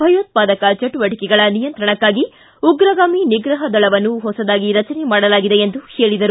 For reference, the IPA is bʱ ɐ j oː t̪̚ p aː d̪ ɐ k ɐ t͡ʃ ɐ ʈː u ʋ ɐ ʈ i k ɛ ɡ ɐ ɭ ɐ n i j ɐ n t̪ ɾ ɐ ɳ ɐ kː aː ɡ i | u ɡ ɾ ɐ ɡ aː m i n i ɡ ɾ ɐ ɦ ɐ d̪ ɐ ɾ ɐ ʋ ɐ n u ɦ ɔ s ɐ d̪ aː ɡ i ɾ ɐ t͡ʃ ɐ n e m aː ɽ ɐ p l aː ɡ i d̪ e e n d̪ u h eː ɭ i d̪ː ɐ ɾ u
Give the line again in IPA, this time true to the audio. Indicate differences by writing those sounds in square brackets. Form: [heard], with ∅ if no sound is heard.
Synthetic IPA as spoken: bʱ ɐ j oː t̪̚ p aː d̪ ɐ k ɐ t͡ʃ ɐ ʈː u ʋ ɐ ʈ i k ɛ ɡ ɐ ɭ ɐ n i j ɐ n t̪ ɾ ɐ ɳ ɐ kː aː ɡ i | u ɡ ɾ ɐ ɡ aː m i n i ɡ ɾ ɐ ɦ ɐ d̪ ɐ [ɭ] ɐ ʋ ɐ [nː] u ɦ ɔ s ɐ d̪ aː ɡ i ɾ ɐ t͡ʃ ɐ n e m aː ɽ ɐ [∅] l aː ɡ i d̪ e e n d̪ u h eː ɭ i [d̪] ɐ ɾ u